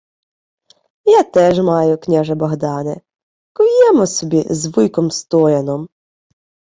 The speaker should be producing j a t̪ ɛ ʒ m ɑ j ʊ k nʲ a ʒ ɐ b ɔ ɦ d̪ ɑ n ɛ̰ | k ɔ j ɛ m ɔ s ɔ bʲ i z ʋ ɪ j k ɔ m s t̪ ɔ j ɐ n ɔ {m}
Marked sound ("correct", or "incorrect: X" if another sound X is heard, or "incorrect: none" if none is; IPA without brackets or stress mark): correct